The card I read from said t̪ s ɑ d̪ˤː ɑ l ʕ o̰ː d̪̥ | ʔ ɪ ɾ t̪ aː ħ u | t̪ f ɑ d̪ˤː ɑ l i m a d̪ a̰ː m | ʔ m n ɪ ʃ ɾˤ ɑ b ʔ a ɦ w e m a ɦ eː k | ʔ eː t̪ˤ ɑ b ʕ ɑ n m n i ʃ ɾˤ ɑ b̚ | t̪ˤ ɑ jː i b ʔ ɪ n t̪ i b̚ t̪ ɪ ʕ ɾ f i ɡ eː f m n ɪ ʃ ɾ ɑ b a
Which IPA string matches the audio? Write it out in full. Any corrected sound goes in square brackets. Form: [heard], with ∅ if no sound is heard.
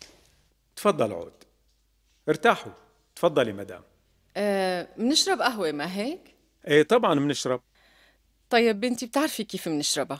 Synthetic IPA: t̪ [f] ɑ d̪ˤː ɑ l ʕ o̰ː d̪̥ | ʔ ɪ ɾ t̪ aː ħ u | t̪ f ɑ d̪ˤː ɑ l i m a d̪ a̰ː m | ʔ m n ɪ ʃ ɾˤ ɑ b ʔ a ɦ w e m a ɦ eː k | ʔ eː t̪ˤ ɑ b ʕ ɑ n m n [ɪ] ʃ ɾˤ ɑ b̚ | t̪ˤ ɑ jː [ɪ] b ʔ ɪ n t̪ i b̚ t̪ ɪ ʕ ɾ f i [k] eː f m n ɪ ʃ ɾ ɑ b a

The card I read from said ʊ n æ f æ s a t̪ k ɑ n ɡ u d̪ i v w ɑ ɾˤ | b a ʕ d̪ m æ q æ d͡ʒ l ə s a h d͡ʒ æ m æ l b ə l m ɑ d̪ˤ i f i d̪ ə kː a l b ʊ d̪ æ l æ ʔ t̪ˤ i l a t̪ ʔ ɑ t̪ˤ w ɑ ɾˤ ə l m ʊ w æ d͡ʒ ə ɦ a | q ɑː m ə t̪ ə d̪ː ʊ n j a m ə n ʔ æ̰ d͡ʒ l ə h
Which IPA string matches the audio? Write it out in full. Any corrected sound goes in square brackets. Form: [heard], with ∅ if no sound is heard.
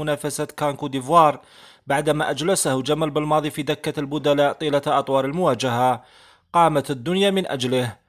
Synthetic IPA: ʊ n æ f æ s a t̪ k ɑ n [k] u d̪ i v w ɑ ɾˤ | b a ʕ d̪ m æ [ʔ] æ d͡ʒ l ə s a h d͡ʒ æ m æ l b ə l m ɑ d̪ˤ i f i d̪ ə kː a l b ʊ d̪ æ l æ ʔ t̪ˤ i l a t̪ ʔ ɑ t̪ˤ w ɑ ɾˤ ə l m ʊ w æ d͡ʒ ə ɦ a | q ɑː m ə t̪ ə d̪ː ʊ n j a m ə n ʔ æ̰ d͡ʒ l ə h

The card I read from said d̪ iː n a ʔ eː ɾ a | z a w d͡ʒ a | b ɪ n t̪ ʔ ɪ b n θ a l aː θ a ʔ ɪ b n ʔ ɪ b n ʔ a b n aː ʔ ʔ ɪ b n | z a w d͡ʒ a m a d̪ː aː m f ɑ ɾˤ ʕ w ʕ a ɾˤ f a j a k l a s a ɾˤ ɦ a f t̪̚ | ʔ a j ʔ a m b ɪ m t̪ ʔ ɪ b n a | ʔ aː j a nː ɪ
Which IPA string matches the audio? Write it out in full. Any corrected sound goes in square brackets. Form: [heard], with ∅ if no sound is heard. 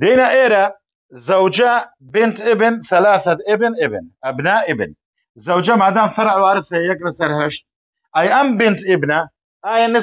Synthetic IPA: d̪ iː n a ʔ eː ɾ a | z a w d͡ʒ a | b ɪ n t̪ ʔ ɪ b n θ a l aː θ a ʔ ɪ b n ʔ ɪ b n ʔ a b n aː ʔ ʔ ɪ b n | z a w d͡ʒ a m a [d̪] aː m f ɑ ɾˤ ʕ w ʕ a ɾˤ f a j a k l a s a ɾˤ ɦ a [ʃ] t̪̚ | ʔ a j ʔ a m b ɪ [n] t̪ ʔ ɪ b n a | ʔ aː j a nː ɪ

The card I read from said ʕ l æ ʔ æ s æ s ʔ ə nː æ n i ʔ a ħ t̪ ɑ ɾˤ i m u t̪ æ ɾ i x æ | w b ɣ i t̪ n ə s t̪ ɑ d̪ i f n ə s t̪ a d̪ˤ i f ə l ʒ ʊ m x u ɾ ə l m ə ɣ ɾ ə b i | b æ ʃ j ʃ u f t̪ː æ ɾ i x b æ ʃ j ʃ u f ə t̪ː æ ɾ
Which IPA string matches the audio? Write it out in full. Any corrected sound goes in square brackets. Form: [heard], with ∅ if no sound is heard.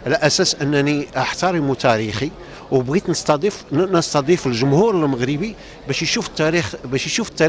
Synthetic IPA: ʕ l æ ʔ æ s æ s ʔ ə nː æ n i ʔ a ħ t̪ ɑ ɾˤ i m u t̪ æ ɾ i x [i] | w b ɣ i t̪ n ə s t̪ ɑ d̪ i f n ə s t̪ [ɑ] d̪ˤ i f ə l ʒ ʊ m [h] u ɾ ə l m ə ɣ ɾ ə b i | b æ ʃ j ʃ u f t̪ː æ ɾ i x b æ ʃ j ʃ u f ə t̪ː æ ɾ

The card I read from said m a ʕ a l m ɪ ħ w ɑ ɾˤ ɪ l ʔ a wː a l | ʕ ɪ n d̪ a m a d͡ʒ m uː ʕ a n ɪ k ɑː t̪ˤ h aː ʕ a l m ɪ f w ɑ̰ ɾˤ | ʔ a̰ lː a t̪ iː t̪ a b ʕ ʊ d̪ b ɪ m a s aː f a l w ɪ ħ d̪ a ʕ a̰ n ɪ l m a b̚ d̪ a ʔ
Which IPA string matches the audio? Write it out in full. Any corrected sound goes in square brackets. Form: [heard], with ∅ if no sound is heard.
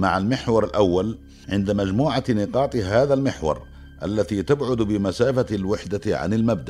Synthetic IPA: m a ʕ a l m ɪ ħ w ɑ ɾˤ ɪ l ʔ a wː a l | ʕ ɪ n d̪ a m a d͡ʒ m uː ʕ a n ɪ [q] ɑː t̪ˤ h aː [ð] a l m ɪ [ħ] w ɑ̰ ɾˤ | ʔ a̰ lː a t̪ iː t̪ a b ʕ ʊ d̪ b ɪ m a s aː f a l w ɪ ħ d̪ a ʕ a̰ n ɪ l m a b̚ d̪ a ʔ

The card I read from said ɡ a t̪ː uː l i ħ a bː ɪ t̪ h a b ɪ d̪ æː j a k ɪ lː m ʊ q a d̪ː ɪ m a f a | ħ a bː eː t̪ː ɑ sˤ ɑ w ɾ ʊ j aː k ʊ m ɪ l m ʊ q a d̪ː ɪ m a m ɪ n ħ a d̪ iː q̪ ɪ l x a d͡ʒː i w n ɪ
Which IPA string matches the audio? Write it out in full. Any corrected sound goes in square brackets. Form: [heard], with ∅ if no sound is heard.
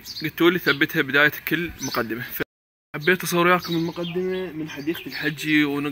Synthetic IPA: ɡ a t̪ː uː l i [θ] a bː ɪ t̪ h a b ɪ d̪ [aː] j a k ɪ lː m ʊ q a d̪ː ɪ m a f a | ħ a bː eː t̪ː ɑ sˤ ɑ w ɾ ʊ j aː k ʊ m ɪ l m ʊ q a d̪ː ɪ m a m ɪ n ħ a d̪ iː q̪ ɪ l [ħ] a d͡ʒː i w n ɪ

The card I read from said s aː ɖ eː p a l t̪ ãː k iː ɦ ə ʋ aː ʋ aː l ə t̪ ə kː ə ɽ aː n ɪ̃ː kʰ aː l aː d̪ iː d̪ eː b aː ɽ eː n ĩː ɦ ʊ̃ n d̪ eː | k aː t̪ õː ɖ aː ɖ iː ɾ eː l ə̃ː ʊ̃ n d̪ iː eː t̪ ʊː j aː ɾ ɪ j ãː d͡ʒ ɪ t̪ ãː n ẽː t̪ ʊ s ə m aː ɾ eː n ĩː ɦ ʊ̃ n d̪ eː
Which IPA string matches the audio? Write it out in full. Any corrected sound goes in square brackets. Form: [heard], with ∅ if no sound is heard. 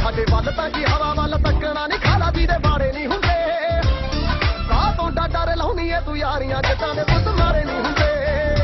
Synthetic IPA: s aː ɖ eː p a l t̪ ãː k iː ɦ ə ʋ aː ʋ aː l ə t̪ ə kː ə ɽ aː n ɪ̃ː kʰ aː l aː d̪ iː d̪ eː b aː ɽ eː n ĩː ɦ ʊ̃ n d̪ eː | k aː t̪ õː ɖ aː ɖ [aː] ɾ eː l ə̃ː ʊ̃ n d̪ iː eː t̪ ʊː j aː ɾ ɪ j ãː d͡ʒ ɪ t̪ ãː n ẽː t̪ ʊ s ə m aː ɾ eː n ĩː ɦ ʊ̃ n d̪ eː

